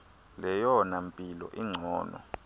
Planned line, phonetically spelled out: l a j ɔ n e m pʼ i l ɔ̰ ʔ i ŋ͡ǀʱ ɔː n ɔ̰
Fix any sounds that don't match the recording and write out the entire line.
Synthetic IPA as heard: l ɛ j ɔ n a m pʼ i l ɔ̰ ʔ i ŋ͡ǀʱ ɔː n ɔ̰

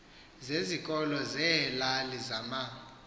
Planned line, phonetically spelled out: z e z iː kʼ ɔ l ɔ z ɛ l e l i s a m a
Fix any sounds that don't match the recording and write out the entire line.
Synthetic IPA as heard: z e z i kʼ ɔ l ɔ z ɛ l a l i z a m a

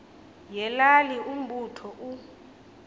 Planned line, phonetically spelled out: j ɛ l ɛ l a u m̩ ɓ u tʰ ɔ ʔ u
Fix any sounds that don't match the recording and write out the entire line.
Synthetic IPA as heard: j ɛ l a l i u m̩ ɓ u tʰ ɔ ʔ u

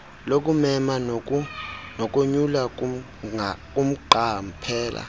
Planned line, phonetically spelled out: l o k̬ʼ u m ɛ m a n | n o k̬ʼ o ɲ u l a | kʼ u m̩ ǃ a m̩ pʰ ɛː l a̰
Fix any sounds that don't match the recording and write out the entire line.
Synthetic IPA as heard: l o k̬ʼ u m ɛ m a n | n o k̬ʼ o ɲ u l a | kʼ u m̩ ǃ a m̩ pʰ ɛː l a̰

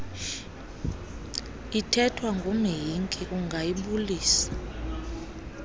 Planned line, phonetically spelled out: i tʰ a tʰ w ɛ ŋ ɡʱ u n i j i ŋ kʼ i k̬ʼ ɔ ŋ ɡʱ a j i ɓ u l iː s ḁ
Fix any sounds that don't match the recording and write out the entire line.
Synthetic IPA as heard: i tʰ ɛ tʰ w a ŋ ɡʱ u m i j i ŋ kʼ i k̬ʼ u ŋ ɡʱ a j i ɓ u l iː s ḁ

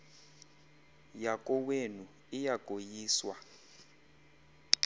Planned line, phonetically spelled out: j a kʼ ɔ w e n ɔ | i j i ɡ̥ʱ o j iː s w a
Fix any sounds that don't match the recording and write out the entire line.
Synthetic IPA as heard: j a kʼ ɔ w e n u | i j a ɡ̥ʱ o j iː s w a

